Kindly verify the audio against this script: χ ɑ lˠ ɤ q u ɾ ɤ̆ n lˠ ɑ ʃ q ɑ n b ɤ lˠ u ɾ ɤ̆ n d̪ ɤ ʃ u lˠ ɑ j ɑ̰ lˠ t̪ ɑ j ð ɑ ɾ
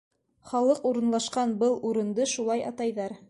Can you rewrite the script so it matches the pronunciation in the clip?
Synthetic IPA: χ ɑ lˠ ɤ q u ɾ ɤ̆ n lˠ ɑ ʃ q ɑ n b ɤ lˠ u ɾ ɤ̆ n d̪ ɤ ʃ u lˠ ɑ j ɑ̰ t̪ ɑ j ð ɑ ɾ